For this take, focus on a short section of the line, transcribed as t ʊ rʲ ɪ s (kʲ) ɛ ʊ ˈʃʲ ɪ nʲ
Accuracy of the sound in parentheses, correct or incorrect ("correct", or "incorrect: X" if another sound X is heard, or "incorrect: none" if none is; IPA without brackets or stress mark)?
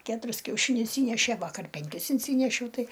correct